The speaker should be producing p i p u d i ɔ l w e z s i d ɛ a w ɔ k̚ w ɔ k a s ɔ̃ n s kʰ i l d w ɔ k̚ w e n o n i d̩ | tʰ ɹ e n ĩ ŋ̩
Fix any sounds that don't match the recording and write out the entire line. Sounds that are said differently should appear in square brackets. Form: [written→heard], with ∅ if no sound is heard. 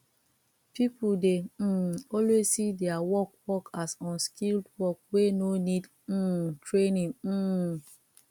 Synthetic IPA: p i p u d [i→e] ɔ l w e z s i d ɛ a w ɔ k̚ w ɔ k a s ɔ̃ n s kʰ i l d w ɔ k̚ w e n o n i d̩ | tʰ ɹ e n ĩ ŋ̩